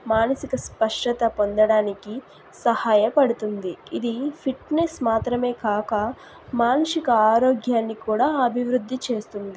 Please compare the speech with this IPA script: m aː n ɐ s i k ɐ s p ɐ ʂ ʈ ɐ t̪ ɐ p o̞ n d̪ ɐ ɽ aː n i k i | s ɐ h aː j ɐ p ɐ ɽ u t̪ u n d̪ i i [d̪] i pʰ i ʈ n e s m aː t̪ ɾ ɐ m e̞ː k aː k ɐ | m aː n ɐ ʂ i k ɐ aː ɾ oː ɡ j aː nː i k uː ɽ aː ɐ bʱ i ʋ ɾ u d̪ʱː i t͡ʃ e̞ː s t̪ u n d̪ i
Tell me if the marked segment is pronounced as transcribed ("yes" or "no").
yes